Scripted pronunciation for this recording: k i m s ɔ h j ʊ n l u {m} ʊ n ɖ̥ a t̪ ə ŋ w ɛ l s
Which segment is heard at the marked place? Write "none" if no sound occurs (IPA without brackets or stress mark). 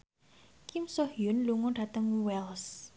ŋ